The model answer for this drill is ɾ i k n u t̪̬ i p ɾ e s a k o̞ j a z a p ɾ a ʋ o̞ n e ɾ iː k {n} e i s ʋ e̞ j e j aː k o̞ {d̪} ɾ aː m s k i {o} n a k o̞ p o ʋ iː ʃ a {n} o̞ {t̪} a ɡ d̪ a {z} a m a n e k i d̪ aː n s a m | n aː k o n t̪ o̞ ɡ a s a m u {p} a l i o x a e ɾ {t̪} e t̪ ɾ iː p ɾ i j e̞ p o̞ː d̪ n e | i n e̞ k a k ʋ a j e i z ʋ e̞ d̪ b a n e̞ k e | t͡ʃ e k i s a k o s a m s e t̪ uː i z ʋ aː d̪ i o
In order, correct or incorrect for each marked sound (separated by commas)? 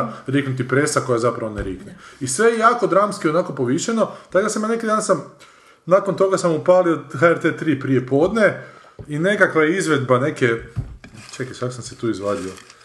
correct, correct, correct, correct, correct, incorrect, correct, correct